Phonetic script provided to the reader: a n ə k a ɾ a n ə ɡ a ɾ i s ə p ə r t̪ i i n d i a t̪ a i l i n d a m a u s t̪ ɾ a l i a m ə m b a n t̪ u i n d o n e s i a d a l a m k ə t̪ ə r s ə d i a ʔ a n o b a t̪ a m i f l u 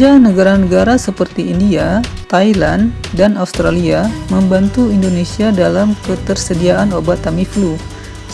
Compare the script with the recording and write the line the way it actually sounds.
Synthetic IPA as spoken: a n ə ɡ a ɾ a n ə ɡ a ɾ a s ə p ə r t̪ i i n d i a t̪ a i l a n d a n a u s t̪ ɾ a l i a m ə m b a n t̪ u i n d o n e s i a d a l a m k ə t̪ ə r s ə d i a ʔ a n o b a t̪ a m i f l u